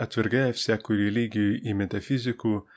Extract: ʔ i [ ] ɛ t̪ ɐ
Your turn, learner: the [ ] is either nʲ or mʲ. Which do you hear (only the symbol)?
mʲ